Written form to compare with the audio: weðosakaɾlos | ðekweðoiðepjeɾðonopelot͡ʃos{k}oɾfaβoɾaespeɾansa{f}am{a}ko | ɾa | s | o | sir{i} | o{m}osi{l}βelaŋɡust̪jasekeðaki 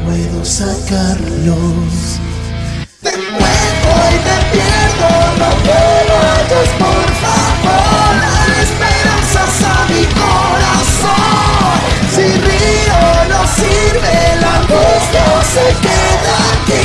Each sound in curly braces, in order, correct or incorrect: incorrect: p, incorrect: s, incorrect: i, correct, incorrect: n, incorrect: ɾ

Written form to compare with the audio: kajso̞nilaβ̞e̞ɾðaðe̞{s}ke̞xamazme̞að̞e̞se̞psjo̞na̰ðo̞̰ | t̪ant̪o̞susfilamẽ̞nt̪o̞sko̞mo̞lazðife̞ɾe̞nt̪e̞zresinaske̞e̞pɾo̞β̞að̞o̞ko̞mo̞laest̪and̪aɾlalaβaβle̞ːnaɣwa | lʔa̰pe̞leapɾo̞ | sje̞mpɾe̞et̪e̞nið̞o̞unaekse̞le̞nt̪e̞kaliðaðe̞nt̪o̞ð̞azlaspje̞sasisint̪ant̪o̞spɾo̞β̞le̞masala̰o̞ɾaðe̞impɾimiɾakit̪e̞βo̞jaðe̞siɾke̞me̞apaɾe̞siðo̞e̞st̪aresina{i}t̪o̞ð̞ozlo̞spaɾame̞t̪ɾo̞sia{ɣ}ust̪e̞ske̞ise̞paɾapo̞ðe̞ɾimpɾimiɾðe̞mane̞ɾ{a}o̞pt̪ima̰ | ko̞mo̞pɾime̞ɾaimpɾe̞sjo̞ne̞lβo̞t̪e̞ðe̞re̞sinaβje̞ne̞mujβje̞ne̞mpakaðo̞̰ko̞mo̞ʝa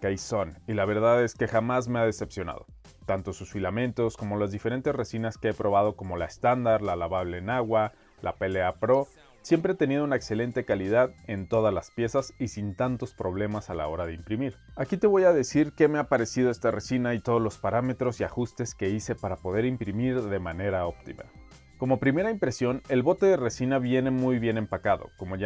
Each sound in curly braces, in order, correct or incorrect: correct, correct, incorrect: x, correct

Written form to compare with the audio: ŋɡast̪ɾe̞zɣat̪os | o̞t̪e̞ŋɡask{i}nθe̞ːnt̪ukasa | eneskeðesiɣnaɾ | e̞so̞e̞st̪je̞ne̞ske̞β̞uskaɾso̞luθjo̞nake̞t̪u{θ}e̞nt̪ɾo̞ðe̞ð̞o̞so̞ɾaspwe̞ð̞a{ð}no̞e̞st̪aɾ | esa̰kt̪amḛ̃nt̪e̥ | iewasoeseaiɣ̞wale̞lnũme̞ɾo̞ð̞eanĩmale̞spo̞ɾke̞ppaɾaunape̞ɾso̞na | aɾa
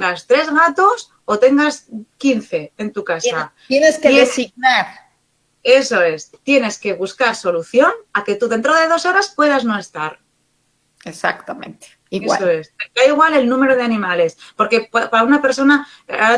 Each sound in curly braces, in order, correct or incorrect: correct, incorrect: ð, incorrect: z

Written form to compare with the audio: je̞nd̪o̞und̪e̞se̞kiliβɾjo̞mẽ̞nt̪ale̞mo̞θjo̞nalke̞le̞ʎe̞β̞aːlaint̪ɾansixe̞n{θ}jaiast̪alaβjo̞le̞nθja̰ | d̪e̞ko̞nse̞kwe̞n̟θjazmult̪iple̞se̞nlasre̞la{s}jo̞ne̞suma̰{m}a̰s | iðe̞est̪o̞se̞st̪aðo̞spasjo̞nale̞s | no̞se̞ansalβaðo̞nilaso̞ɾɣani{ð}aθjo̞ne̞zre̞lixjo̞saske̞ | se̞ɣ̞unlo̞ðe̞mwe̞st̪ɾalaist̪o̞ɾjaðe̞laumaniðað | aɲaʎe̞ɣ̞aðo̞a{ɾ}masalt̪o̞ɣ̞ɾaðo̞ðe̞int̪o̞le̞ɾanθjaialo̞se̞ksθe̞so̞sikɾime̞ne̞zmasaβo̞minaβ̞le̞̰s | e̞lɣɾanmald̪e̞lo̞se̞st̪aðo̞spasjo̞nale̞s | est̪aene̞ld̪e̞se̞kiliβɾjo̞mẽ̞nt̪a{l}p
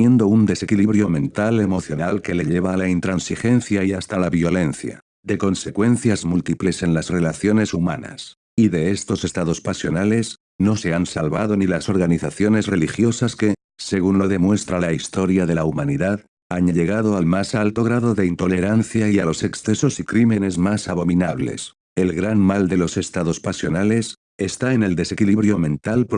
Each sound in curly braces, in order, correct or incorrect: correct, incorrect: θ, incorrect: n, incorrect: θ, incorrect: l, correct

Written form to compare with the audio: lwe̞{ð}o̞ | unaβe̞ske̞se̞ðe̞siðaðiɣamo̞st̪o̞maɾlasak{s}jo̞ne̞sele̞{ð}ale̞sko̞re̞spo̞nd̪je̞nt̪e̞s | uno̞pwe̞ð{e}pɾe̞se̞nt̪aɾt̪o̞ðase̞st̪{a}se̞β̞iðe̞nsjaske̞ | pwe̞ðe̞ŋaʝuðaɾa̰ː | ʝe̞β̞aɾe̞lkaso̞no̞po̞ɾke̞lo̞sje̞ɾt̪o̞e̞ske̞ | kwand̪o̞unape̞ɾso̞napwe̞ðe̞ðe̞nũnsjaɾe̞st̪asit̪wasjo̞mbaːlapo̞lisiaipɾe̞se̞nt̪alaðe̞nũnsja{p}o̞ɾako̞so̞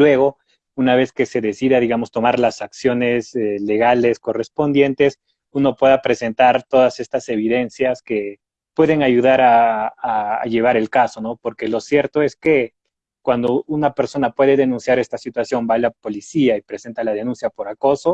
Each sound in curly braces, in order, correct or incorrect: incorrect: ɣ, correct, incorrect: ɣ, incorrect: a, correct, correct

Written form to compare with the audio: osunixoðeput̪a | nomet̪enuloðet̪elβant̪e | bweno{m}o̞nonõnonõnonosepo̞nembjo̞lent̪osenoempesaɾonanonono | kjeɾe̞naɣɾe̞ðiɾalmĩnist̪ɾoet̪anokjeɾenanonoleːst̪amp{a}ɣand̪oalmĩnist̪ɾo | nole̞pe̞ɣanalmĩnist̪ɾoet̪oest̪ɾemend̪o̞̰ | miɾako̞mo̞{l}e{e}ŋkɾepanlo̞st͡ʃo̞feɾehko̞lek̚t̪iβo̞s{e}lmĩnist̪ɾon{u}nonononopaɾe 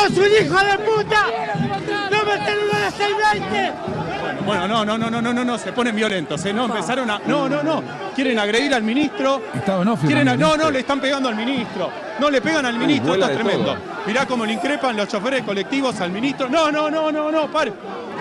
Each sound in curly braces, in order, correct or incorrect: incorrect: n, incorrect: e, correct, incorrect: i, incorrect: a, incorrect: o

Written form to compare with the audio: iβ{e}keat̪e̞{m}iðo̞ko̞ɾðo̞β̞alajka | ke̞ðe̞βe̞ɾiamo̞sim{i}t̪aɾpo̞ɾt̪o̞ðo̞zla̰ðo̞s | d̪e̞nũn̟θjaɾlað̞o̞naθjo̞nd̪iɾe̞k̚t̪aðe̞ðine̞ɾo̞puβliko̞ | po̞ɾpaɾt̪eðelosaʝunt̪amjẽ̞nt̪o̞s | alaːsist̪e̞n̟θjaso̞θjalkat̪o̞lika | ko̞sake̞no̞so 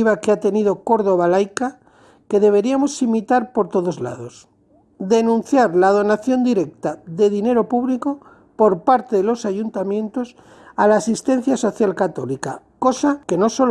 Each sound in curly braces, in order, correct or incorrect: incorrect: a, incorrect: n, correct

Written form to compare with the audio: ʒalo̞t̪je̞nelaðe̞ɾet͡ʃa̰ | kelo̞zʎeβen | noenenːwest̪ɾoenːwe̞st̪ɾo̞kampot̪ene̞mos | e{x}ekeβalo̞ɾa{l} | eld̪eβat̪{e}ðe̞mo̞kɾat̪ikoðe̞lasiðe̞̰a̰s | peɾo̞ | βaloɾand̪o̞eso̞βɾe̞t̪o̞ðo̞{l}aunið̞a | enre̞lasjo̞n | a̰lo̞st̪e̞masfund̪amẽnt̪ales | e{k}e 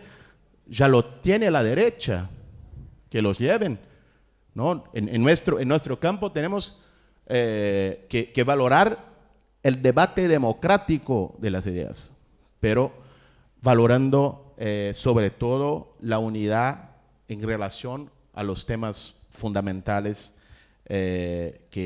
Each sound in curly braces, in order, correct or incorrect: incorrect: k, incorrect: ɾ, correct, correct, correct

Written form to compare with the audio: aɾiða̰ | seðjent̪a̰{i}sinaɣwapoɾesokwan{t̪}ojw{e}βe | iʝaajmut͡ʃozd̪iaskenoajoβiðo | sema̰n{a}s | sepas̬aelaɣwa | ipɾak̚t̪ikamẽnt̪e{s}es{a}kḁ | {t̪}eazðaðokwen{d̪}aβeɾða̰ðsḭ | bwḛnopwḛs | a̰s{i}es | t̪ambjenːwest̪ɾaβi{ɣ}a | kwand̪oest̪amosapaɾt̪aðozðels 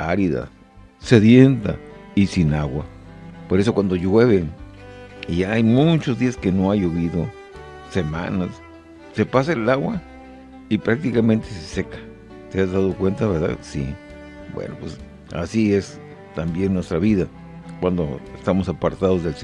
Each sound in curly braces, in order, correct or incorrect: correct, incorrect: d̪, correct, correct, correct, incorrect: e, correct, incorrect: t̪, correct, incorrect: ð

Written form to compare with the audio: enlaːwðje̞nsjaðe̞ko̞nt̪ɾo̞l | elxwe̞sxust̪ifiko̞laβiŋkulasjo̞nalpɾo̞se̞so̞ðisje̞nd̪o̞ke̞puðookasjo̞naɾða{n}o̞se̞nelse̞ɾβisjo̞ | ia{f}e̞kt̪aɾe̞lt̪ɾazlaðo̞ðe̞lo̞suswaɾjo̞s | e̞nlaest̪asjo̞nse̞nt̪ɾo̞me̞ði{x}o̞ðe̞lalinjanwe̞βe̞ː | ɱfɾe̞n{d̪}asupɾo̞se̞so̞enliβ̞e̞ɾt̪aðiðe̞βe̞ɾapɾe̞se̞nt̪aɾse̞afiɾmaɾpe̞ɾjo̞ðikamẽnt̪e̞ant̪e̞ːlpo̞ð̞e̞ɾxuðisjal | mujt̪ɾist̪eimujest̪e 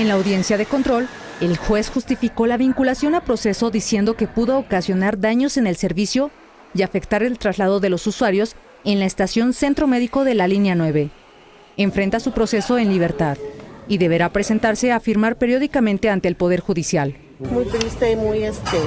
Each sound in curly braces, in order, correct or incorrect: incorrect: ɲ, correct, incorrect: k, incorrect: t̪

